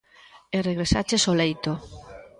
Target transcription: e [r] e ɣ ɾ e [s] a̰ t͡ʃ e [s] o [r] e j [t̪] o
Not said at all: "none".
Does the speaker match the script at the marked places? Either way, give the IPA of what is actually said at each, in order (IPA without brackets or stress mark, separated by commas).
r, s, s, l, t̪